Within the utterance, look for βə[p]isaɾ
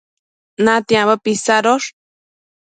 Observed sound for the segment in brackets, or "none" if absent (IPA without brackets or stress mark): p